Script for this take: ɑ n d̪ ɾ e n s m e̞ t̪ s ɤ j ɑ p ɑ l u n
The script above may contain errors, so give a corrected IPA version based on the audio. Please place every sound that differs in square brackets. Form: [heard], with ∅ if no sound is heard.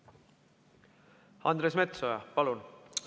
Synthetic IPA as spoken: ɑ n d̪ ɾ e [∅] s m e̞ t̪ s [o] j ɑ p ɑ l u n